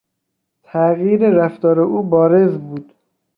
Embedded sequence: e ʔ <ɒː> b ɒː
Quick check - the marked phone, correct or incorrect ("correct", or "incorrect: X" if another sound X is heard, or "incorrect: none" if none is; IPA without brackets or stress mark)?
incorrect: uː